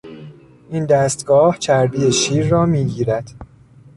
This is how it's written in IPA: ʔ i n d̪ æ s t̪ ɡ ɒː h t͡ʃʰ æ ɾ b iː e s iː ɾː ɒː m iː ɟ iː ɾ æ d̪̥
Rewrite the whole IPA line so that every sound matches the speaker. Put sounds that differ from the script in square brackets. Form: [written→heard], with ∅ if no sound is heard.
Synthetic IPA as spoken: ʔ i n d̪ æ s t̪ ɡ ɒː h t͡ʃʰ æ ɾ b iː e [s→ʃ] iː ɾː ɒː m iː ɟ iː ɾ æ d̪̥